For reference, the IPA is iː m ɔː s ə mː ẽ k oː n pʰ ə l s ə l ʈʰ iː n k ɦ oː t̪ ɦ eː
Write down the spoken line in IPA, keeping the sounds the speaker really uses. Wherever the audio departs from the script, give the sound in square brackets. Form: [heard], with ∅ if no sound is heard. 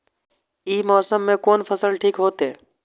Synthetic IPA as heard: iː m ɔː s ə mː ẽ k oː n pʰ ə [∅] s ə l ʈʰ iː [∅] k ɦ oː t̪ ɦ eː